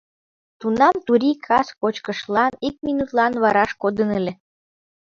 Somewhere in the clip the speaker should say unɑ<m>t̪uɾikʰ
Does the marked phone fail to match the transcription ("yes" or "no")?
no